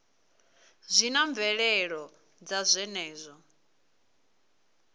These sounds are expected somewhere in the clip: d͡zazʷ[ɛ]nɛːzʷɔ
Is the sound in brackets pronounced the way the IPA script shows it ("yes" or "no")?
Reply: yes